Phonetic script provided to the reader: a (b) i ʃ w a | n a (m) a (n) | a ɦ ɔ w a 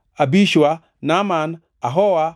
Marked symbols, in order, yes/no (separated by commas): yes, yes, yes